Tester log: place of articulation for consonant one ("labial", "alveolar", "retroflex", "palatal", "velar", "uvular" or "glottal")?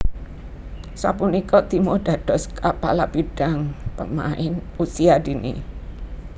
alveolar